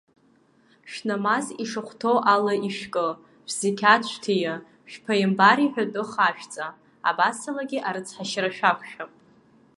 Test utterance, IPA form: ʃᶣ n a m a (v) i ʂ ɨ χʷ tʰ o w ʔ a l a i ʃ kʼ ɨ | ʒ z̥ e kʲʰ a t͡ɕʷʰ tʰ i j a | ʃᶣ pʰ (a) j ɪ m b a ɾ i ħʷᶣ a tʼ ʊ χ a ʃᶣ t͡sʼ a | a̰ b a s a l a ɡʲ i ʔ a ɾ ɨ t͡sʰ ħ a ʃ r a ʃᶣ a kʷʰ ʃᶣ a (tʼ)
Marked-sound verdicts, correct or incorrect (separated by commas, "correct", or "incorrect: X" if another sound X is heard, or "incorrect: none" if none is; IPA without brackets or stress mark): incorrect: z, correct, incorrect: pʼ